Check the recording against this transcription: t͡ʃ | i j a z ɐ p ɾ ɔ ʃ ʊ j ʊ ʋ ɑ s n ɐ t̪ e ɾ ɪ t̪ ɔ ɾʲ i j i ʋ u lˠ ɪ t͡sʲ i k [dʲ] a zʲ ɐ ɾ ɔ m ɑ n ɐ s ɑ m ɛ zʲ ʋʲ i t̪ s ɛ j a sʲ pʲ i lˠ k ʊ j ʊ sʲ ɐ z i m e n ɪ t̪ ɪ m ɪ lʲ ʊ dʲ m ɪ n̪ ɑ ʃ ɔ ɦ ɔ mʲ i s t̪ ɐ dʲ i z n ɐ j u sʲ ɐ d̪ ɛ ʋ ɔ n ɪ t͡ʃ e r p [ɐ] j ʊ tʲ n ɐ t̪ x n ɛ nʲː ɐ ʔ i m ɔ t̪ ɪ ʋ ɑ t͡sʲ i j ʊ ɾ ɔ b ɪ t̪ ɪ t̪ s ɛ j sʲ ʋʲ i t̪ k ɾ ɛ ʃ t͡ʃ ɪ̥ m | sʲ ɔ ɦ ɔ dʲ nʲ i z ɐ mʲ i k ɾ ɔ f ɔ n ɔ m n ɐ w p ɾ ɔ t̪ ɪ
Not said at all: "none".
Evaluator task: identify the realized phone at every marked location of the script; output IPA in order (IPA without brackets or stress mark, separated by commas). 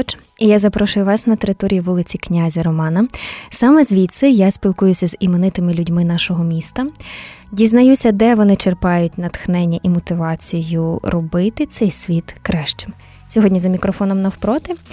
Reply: nʲ, ɑ